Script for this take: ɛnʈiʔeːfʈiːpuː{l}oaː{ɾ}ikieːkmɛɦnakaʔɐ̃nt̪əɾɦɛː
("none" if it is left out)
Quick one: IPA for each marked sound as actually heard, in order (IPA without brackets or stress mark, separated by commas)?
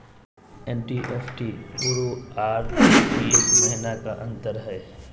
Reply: ɾ, ɾ